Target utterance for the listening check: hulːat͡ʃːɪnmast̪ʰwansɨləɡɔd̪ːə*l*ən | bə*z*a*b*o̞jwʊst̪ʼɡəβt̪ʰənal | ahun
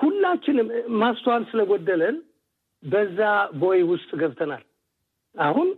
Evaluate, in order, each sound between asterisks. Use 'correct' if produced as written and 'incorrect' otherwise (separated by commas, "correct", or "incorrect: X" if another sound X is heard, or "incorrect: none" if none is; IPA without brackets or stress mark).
correct, incorrect: zː, correct